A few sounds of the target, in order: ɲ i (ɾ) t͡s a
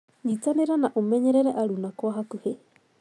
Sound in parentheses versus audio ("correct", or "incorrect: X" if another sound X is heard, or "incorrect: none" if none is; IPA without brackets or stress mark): incorrect: none